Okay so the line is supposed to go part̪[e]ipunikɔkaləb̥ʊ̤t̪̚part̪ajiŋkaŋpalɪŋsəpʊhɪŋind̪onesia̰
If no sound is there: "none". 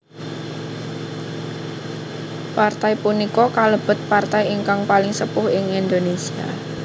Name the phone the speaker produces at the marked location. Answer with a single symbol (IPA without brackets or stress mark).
a